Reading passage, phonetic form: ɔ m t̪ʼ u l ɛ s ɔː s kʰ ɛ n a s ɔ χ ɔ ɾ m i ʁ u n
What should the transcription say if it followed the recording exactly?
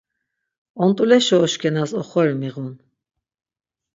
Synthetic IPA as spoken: ɔ n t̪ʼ u l ɛ ʃ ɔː ʃ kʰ ɛ n a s ɔ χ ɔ ɾ m i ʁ u n